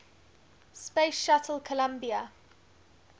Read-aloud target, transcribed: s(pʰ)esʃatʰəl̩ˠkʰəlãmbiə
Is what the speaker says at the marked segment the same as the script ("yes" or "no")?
no